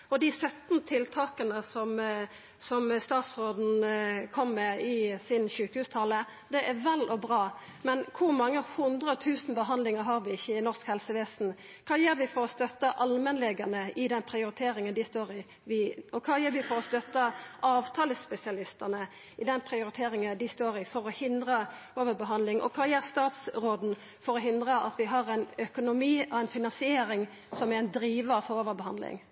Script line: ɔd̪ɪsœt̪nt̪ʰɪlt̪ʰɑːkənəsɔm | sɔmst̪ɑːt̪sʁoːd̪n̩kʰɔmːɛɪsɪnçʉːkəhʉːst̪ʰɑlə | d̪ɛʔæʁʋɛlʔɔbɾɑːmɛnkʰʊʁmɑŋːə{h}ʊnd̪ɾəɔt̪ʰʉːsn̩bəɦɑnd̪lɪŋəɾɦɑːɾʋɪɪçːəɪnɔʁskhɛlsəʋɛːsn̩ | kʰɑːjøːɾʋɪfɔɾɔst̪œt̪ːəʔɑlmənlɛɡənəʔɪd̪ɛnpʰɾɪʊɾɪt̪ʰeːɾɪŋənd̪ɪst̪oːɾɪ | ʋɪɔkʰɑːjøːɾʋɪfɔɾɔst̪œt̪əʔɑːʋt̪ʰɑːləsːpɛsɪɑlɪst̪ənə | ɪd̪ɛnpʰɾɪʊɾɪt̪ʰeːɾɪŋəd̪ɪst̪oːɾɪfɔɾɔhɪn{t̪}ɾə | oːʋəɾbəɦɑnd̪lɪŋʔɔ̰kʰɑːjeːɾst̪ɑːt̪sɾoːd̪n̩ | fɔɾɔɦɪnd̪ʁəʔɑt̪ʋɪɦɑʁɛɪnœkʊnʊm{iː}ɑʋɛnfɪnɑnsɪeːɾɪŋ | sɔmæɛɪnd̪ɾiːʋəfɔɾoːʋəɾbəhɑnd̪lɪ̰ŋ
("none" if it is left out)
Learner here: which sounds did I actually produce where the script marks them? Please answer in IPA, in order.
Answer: h, d̪, iː

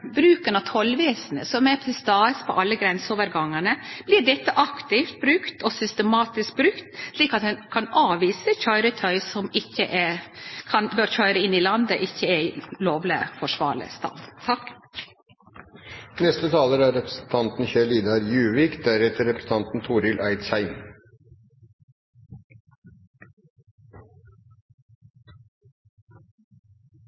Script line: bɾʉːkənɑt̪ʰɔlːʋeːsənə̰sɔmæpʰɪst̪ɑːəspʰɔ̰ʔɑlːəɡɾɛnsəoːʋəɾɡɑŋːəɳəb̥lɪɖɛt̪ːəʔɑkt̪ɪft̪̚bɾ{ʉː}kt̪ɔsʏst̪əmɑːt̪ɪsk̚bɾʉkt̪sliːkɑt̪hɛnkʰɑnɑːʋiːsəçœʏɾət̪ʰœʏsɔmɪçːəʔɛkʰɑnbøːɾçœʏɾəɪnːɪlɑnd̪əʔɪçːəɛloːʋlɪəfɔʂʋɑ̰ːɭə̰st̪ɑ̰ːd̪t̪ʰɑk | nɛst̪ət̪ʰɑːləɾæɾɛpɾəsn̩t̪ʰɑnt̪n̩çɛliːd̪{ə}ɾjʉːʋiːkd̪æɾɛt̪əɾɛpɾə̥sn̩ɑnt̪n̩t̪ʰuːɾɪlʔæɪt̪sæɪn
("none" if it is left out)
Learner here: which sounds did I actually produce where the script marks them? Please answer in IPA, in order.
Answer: ʉ, ɑ

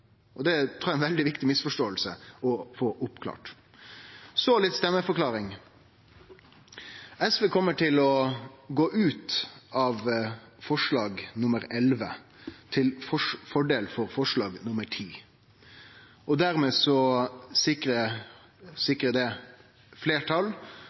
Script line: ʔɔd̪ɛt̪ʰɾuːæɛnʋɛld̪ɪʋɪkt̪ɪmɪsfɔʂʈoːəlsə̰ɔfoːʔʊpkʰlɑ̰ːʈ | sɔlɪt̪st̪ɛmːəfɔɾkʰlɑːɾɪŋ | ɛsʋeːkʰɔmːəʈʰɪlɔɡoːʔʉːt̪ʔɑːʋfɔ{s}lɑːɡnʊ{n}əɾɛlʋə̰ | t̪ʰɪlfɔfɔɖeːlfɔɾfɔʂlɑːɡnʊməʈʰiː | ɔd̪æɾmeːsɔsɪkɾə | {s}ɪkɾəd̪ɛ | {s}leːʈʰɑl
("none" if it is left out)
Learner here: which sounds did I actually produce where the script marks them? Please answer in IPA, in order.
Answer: ʂ, m, s, f

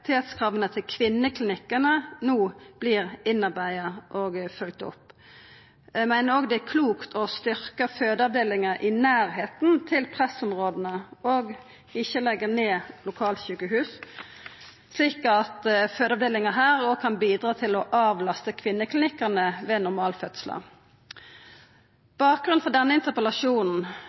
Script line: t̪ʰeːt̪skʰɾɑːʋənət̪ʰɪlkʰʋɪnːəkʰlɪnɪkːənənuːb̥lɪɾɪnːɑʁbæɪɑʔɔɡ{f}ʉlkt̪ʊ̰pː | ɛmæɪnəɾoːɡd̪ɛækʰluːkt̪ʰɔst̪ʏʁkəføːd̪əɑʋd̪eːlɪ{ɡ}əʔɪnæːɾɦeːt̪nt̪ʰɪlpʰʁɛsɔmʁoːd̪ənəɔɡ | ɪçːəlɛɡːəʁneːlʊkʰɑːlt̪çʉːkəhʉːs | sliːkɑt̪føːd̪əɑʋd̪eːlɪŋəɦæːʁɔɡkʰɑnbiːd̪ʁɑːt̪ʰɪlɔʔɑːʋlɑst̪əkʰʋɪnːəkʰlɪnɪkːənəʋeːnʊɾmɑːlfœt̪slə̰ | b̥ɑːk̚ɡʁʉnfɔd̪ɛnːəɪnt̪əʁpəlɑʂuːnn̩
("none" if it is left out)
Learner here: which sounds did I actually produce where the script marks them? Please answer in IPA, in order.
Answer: f, ŋ

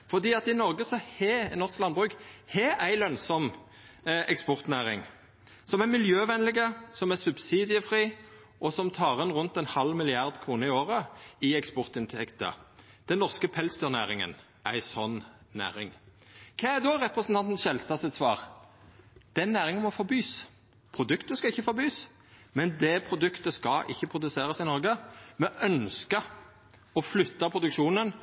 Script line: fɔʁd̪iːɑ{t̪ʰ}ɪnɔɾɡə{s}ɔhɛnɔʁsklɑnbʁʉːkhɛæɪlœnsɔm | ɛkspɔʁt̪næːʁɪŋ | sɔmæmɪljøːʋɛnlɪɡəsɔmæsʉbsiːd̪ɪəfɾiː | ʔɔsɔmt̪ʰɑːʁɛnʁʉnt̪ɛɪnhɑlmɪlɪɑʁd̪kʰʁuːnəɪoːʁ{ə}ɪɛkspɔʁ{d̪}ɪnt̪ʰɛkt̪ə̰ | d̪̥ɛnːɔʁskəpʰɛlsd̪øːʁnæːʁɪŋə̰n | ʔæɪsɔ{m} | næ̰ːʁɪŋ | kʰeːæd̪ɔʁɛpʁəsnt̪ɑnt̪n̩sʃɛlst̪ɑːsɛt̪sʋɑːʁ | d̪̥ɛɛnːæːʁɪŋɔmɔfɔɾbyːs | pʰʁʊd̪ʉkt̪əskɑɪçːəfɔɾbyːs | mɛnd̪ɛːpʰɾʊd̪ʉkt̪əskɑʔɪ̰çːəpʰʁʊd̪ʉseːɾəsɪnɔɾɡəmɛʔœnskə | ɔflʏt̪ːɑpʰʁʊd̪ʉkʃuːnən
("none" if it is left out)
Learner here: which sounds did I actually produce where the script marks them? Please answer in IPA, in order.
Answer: t̪, s, ə, t̪, n

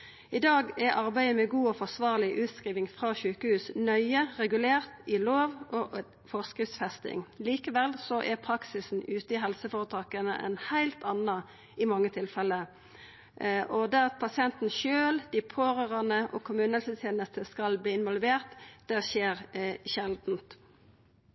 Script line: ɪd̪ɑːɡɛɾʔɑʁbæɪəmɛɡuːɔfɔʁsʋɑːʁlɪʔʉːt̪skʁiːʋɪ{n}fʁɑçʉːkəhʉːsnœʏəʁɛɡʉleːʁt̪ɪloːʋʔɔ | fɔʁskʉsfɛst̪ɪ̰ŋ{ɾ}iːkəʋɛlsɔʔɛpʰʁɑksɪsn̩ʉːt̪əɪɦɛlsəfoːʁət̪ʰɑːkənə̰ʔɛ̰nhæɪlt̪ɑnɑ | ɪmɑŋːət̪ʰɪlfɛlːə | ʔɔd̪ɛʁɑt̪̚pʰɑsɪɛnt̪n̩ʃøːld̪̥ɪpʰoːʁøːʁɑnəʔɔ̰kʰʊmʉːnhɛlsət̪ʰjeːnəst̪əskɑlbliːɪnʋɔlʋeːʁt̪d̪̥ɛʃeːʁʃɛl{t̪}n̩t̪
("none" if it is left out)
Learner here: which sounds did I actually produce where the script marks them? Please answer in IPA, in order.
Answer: ŋ, l, d̪

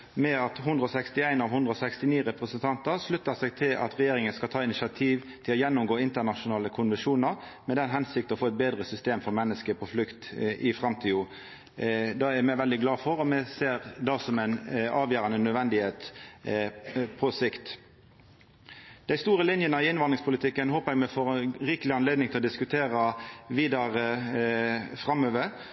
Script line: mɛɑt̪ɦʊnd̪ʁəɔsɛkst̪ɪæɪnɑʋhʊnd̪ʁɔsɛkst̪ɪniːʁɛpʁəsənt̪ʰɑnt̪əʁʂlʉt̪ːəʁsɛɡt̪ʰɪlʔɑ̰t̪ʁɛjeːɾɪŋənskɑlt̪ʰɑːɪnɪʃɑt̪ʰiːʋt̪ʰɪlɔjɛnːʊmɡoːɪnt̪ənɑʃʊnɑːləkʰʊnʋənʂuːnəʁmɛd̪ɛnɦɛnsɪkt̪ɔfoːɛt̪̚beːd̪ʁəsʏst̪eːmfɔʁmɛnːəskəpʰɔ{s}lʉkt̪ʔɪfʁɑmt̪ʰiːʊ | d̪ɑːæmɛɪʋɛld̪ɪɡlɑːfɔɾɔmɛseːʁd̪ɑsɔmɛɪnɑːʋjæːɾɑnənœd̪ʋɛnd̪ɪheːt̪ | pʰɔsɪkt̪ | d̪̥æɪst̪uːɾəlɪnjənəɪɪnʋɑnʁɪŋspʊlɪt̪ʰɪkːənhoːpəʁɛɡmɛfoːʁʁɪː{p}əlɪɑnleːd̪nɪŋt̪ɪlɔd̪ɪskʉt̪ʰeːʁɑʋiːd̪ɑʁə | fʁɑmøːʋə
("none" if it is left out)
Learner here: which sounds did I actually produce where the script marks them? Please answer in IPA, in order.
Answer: f, k

